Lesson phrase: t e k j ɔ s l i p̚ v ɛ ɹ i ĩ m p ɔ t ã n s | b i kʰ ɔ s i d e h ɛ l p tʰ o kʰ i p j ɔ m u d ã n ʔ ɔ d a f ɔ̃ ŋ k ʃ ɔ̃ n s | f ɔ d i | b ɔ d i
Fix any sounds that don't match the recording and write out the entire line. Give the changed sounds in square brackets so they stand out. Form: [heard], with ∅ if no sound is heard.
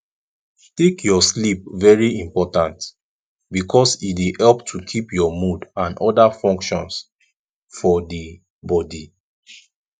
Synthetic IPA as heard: t e k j ɔ s l i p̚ v ɛ ɹ i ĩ m p ɔ t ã n [t] | b i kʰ ɔ s i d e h ɛ l p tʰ [u] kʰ i p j ɔ m u d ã n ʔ ɔ d a f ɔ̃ ŋ k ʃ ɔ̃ n s | f ɔ d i | b ɔ d i